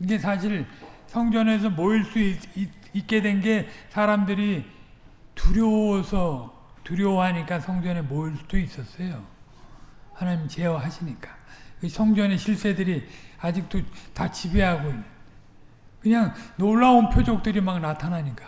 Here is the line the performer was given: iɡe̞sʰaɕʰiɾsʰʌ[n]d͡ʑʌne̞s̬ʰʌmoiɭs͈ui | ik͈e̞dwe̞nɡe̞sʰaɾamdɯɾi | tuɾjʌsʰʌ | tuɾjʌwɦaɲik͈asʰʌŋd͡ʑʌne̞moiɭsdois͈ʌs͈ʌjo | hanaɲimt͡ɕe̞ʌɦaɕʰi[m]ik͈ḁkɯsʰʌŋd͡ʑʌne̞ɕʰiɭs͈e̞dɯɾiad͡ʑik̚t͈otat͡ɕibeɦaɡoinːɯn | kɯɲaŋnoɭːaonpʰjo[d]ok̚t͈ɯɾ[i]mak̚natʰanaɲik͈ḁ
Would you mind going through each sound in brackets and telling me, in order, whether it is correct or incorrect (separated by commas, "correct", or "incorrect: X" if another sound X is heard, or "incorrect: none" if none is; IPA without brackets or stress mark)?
incorrect: ŋ, incorrect: ɲ, incorrect: d͡ʑ, correct